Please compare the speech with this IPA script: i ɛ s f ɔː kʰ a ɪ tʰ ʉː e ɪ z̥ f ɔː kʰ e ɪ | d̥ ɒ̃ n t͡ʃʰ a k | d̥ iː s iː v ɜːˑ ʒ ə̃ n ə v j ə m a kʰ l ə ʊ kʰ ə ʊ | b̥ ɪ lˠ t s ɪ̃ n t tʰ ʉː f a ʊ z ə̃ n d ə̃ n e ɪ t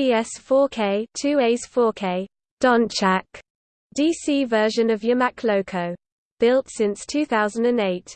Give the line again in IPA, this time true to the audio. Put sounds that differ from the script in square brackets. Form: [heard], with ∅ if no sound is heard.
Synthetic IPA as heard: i ɛ s f ɔː kʰ [e] ɪ tʰ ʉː e ɪ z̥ f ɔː kʰ e ɪ | d̥ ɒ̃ n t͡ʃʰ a k | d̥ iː s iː v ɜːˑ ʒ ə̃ n ə v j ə m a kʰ l ə ʊ kʰ ə ʊ | b̥ ɪ lˠ t s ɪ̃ n [s] tʰ ʉː [θ] a ʊ z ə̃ n d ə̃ n e ɪ t